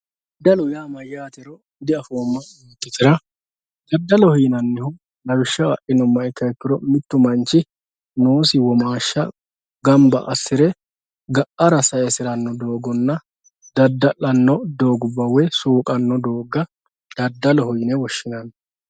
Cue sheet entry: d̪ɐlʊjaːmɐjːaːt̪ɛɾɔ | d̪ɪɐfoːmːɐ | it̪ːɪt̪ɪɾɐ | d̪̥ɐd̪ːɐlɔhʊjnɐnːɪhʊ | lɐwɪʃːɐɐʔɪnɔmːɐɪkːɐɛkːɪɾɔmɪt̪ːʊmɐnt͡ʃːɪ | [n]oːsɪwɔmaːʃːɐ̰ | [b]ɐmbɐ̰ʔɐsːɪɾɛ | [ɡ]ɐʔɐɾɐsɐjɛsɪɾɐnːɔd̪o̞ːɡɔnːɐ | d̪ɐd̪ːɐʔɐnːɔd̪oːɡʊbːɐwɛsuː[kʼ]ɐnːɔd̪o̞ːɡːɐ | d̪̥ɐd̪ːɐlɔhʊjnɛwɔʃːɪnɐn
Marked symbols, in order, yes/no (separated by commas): yes, no, yes, yes